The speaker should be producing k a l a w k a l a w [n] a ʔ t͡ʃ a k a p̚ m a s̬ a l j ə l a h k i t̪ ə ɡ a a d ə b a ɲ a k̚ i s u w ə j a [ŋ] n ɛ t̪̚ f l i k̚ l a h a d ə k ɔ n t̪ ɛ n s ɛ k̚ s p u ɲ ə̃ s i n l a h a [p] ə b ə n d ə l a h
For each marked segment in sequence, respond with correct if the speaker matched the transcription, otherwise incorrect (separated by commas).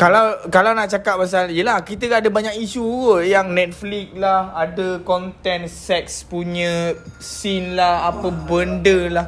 correct, correct, correct